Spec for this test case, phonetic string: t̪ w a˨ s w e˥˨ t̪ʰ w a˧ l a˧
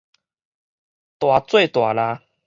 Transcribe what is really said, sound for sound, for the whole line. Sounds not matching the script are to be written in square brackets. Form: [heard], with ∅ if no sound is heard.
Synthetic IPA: t̪ w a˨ [t͡s] w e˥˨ [t̪] w [a˨˩] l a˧